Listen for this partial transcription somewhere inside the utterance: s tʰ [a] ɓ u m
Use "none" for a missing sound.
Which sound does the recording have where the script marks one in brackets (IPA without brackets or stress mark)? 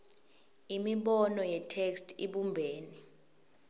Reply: i